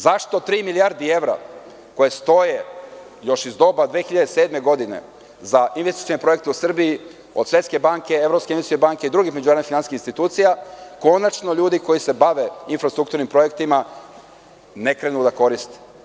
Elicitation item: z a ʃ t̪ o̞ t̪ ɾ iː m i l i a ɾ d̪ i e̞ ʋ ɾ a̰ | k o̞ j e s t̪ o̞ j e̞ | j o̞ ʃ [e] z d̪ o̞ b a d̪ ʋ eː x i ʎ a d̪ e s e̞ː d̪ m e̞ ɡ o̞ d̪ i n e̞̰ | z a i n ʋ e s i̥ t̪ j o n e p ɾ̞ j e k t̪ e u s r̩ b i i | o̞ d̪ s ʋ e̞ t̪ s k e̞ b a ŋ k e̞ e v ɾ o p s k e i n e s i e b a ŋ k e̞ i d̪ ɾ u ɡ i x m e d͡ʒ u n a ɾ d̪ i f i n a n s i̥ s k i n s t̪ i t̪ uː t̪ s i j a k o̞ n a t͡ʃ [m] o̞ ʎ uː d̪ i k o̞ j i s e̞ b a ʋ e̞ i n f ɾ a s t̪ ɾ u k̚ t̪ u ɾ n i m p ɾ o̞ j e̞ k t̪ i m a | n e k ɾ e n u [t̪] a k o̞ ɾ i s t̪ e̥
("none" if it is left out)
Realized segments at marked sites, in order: i, n, d̪

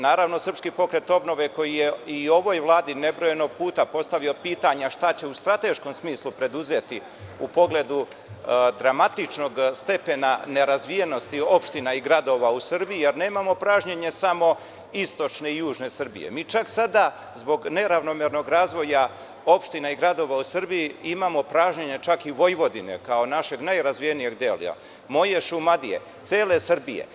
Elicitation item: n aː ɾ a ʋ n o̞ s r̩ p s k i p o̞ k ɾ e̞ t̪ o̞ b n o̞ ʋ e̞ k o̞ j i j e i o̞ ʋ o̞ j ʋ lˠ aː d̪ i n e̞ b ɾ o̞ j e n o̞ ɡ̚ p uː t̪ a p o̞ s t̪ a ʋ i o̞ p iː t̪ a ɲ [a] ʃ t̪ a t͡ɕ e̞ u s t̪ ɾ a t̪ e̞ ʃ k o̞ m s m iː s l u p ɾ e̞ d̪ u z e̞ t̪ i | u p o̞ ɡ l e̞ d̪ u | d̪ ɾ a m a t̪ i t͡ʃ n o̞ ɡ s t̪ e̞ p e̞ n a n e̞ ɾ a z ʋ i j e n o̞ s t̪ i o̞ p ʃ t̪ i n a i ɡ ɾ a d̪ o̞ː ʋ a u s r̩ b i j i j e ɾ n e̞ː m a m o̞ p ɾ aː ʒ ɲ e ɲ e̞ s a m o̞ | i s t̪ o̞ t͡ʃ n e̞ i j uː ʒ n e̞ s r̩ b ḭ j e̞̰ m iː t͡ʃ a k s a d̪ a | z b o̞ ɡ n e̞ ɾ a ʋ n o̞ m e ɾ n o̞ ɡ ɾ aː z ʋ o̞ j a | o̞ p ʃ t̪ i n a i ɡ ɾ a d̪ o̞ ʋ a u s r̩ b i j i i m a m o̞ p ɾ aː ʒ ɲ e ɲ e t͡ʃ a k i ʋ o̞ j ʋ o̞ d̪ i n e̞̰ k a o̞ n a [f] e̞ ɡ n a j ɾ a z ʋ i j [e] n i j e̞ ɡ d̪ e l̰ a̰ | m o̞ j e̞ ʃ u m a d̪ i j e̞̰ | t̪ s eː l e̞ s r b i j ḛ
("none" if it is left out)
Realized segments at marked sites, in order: a, ʃ, e

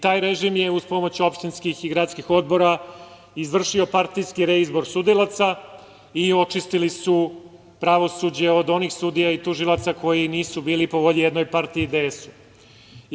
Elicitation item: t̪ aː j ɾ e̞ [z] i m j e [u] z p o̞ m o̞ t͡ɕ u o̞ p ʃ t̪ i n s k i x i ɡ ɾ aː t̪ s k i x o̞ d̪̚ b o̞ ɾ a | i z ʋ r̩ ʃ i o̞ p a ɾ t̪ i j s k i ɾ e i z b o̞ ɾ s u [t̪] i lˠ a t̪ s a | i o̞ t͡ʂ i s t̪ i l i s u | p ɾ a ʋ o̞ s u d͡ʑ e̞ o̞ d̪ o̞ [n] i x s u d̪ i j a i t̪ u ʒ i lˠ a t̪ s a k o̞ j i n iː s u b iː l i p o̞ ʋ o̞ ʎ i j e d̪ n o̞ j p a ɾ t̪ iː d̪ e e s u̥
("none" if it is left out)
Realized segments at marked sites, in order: ʒ, u, d̪, n

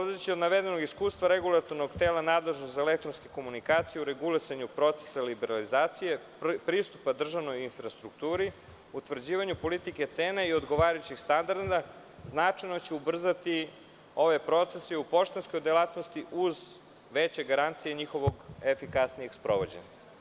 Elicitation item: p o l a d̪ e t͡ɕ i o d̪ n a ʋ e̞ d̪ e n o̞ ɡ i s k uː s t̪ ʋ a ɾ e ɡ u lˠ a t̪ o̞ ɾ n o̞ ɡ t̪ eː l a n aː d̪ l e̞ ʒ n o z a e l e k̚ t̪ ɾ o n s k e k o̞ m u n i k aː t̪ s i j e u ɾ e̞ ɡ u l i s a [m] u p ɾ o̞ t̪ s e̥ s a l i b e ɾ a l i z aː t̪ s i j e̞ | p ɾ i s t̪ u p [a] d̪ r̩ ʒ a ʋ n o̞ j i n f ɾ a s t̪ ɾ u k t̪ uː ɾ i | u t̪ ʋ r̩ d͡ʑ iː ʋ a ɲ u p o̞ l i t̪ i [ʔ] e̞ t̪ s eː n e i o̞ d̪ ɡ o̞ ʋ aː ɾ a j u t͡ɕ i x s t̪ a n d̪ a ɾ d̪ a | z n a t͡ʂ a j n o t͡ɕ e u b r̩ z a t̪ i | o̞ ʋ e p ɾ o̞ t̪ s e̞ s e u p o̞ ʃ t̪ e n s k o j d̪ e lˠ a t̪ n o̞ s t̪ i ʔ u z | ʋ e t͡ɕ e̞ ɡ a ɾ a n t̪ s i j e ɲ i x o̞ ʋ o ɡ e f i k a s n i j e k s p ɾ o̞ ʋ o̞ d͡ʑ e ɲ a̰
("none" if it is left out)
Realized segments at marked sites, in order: ɲ, a, k

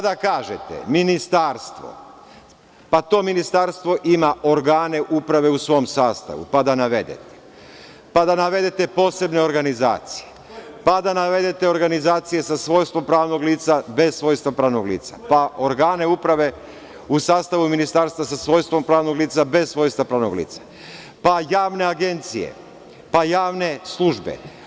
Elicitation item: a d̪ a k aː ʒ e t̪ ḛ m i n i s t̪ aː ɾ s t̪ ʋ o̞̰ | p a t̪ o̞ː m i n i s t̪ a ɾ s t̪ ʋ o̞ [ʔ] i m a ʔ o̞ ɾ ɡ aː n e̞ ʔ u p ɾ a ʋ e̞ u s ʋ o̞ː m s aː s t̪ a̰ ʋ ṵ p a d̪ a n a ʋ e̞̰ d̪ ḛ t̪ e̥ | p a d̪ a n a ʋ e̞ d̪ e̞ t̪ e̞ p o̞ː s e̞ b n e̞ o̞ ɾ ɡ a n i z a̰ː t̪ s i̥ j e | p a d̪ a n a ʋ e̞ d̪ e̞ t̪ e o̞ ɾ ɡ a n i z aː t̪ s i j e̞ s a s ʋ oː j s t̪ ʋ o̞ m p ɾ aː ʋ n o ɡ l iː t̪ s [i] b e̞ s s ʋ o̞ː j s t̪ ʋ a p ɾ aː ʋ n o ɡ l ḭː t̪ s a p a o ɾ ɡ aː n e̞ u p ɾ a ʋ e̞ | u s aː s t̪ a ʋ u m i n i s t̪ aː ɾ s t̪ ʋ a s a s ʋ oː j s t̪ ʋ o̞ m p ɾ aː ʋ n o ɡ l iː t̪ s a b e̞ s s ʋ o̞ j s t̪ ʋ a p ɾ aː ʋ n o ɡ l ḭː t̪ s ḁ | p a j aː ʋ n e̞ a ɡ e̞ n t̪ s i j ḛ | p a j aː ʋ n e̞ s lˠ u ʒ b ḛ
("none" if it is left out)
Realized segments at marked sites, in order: ʔ, a

